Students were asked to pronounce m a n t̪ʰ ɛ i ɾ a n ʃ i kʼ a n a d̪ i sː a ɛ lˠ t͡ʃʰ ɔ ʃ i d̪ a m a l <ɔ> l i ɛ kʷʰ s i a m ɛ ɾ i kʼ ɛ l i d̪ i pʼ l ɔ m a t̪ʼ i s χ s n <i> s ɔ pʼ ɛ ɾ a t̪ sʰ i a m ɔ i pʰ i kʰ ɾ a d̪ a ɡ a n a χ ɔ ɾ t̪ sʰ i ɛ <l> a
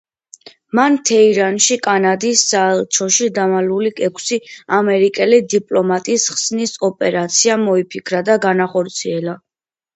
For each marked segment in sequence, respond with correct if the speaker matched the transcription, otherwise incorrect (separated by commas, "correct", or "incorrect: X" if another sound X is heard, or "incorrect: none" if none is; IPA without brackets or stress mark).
incorrect: u, correct, correct